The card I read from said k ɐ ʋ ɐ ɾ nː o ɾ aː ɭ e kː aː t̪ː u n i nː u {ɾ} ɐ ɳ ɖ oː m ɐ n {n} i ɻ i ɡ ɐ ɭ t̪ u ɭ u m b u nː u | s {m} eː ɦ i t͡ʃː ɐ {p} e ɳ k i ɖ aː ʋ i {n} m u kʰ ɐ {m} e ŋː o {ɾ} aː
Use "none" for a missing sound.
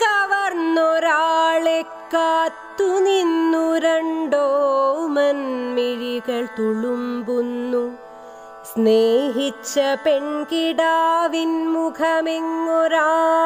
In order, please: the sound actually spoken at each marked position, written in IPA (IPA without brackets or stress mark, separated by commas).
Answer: ɾ, m, n, p, n, m, ɾ